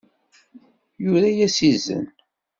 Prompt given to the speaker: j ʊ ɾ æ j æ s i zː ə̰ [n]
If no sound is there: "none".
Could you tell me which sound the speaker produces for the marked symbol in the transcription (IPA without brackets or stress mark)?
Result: n